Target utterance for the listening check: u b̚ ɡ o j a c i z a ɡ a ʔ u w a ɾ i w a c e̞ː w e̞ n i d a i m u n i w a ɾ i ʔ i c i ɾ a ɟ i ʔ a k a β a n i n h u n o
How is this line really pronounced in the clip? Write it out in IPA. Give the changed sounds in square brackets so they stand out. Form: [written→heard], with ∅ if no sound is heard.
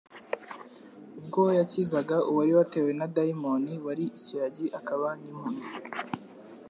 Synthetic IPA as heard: u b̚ ɡ o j a c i z a ɡ a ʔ u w a ɾ i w a [c→t] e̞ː w e̞ n [i→a] d a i m [u→o] n i w a ɾ i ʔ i c i ɾ a ɟ i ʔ a k a β a n i [n→m] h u n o